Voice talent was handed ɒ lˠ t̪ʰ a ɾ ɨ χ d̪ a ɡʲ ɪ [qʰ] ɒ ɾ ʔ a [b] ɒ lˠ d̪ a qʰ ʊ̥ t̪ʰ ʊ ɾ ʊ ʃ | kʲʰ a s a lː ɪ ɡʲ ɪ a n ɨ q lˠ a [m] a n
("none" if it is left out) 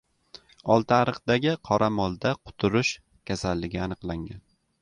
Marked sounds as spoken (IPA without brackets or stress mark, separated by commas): qʰ, m, ŋ